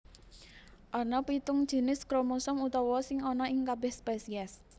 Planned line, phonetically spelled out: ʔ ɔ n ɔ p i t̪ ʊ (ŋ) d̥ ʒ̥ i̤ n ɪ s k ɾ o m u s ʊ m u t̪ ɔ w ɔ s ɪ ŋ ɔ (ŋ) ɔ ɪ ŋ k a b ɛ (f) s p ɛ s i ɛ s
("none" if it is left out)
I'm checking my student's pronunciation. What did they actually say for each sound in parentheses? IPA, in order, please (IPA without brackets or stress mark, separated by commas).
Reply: ŋ, n, h